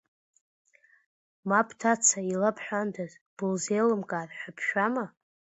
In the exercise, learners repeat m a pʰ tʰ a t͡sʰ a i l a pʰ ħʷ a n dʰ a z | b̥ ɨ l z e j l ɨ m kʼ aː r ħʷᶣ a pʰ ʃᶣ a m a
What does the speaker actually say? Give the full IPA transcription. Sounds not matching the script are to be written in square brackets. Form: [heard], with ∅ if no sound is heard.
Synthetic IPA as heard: m a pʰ tʰ a t͡sʰ a i l a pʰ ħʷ a n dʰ a z | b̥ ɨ l z e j l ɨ m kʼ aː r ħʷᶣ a pʰ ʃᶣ a m a